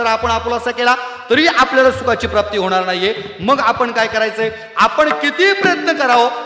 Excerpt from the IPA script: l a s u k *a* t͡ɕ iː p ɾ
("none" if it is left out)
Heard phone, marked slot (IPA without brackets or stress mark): a